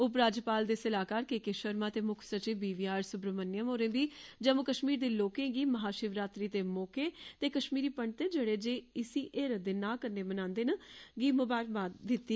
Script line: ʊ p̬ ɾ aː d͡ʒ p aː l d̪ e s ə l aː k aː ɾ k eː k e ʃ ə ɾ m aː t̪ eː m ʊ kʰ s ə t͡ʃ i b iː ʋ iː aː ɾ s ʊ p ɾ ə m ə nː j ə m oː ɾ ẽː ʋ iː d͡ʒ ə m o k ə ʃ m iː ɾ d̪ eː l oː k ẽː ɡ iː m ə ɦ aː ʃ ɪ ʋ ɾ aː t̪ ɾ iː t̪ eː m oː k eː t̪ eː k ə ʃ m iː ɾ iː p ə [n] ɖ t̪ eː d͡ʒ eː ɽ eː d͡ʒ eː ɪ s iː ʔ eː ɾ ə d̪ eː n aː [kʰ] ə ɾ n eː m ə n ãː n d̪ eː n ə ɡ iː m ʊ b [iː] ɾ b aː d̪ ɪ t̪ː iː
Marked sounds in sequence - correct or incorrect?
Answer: incorrect: ɳ, incorrect: k, incorrect: aː

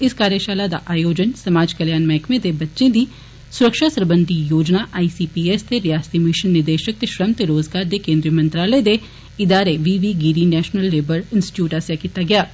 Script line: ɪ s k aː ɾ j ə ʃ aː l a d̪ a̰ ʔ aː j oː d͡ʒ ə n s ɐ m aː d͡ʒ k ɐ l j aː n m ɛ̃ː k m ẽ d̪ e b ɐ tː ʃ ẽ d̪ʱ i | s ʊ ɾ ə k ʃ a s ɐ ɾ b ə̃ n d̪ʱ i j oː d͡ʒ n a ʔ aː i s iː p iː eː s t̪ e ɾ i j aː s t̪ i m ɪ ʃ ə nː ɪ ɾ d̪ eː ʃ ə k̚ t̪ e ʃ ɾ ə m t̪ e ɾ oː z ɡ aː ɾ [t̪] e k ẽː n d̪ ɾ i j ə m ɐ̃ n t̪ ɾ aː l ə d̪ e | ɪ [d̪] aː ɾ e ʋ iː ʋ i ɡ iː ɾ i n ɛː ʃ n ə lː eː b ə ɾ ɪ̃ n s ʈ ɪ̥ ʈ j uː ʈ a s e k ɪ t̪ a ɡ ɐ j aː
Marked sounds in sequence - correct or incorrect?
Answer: incorrect: d̪, correct

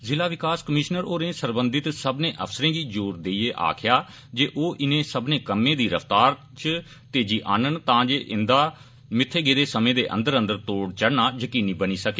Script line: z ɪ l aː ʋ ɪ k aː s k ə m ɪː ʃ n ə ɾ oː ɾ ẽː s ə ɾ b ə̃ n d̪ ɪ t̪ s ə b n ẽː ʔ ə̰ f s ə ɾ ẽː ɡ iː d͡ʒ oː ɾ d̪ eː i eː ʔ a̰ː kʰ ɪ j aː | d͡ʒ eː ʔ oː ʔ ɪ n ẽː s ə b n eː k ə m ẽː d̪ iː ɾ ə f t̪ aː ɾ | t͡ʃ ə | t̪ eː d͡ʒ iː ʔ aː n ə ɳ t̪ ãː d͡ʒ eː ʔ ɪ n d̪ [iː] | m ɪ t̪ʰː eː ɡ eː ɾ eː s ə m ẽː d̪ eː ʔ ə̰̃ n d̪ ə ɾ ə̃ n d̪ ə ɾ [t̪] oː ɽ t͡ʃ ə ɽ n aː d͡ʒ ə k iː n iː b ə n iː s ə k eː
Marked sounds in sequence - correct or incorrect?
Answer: incorrect: aː, correct

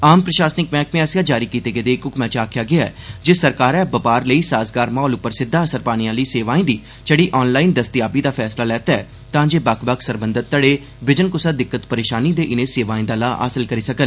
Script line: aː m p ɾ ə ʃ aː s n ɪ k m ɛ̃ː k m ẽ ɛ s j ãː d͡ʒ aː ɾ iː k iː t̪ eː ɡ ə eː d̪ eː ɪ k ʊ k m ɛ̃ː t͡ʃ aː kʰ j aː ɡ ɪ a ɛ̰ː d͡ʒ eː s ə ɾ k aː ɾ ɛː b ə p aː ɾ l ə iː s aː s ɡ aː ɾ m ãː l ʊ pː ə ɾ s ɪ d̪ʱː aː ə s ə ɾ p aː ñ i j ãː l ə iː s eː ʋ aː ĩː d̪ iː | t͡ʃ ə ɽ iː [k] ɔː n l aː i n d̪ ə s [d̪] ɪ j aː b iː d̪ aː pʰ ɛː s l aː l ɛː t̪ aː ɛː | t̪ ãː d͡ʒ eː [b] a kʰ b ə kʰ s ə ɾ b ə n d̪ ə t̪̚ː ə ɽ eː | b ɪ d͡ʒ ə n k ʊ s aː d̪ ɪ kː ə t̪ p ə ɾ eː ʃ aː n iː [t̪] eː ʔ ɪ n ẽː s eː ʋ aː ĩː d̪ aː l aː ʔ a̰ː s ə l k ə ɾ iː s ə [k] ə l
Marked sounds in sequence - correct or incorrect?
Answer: incorrect: ʔ, incorrect: t̪, correct, incorrect: d̪, correct

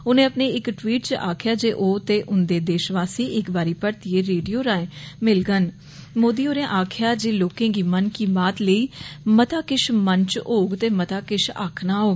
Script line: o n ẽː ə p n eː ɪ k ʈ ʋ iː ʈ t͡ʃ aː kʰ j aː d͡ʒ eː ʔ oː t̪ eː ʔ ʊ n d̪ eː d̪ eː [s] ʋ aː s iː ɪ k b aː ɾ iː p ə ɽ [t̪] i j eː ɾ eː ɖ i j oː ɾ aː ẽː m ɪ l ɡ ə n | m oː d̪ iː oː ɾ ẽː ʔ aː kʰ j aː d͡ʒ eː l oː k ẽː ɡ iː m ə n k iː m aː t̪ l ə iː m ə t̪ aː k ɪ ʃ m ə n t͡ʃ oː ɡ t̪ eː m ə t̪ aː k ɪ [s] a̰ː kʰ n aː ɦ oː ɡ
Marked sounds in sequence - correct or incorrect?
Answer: incorrect: ʃ, correct, incorrect: ʃ

